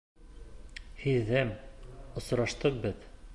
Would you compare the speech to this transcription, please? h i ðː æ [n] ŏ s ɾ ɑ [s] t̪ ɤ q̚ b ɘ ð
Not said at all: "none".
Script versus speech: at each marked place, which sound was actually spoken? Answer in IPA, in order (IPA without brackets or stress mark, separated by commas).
m, ʃ